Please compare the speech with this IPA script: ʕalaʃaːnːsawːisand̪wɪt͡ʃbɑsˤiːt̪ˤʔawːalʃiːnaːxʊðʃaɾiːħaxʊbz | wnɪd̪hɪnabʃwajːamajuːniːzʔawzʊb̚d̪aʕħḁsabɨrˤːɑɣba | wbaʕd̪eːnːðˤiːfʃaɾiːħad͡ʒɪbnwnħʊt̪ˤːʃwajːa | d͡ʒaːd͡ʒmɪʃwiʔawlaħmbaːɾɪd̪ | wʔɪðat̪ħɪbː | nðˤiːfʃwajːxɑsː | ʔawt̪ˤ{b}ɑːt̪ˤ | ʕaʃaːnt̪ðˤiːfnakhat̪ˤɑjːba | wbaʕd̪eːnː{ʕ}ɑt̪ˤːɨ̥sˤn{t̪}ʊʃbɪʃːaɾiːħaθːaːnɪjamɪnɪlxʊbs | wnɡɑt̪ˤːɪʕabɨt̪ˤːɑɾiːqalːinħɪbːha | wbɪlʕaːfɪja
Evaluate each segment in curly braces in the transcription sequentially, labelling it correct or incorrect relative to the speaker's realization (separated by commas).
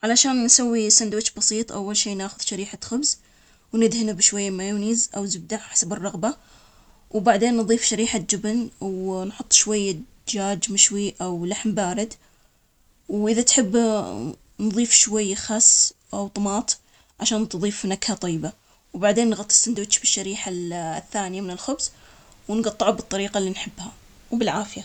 incorrect, incorrect, incorrect